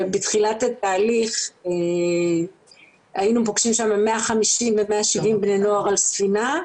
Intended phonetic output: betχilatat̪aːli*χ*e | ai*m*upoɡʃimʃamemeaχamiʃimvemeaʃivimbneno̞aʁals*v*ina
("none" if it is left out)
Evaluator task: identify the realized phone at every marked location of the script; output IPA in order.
χ, n, f

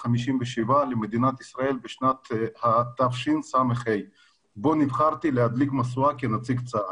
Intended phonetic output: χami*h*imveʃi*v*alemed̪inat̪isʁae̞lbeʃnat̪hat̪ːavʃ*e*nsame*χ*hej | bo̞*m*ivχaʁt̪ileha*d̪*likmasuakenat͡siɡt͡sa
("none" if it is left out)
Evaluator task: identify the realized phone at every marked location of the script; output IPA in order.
ʃ, v, i, χ, n, d̪

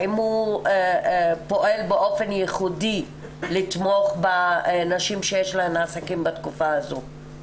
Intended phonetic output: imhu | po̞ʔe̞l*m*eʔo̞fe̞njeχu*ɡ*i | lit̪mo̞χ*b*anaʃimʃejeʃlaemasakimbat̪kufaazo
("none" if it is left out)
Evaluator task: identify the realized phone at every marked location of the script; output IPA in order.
b, d, b

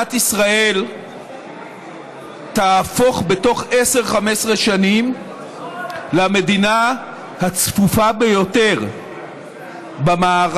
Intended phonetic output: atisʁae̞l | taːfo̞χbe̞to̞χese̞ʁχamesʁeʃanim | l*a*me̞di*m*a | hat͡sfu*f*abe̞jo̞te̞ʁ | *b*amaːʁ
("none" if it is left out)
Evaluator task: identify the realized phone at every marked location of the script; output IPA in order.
a, n, f, b

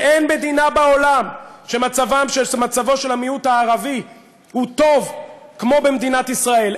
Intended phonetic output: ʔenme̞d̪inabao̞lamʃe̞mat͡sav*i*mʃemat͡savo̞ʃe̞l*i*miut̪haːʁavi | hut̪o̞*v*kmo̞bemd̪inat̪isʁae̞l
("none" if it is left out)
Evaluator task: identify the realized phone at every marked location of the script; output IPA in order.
a, a, v

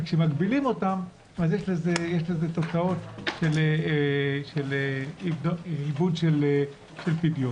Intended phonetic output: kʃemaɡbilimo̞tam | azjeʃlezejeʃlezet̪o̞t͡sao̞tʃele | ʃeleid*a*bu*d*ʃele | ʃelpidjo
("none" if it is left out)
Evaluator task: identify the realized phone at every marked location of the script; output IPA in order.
i, d

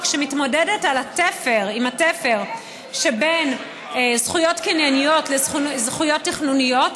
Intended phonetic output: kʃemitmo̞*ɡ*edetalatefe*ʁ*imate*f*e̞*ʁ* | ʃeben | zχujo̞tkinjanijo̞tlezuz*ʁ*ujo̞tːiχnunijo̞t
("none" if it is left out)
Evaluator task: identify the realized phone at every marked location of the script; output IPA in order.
d, ʁ, f, ʁ, χ

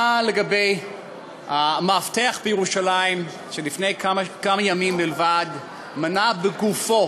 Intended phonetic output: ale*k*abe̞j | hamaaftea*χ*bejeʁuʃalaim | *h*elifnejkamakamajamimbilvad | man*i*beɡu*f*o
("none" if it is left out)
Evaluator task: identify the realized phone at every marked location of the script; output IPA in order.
ɡ, χ, ʃ, a, f

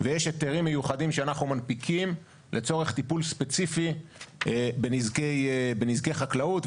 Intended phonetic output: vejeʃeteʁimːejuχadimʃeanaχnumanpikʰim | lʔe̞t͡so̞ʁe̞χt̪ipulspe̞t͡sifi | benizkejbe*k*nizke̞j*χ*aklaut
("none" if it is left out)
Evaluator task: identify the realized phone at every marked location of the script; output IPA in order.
none, χ

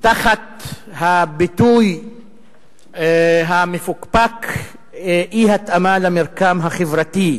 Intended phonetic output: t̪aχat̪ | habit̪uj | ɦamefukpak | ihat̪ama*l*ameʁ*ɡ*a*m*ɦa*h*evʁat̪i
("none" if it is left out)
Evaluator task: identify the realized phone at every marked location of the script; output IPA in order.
l, k, m, χ

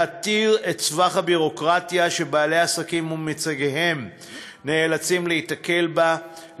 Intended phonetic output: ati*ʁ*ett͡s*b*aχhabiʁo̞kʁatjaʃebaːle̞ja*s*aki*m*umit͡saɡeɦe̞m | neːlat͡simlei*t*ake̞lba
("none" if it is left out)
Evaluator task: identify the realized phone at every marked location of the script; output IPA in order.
ʁ, v, s, m, t

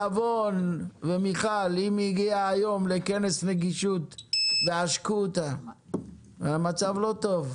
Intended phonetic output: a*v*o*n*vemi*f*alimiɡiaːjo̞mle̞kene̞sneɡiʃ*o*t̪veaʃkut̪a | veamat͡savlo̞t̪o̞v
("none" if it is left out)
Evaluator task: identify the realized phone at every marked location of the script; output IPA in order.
v, n, χ, u

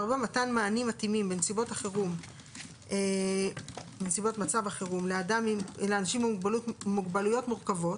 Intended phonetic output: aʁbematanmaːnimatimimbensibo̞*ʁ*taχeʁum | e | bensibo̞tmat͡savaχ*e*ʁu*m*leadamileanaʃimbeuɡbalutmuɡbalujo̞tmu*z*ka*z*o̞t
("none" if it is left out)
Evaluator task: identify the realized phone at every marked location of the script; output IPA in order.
none, e, m, ʁ, v

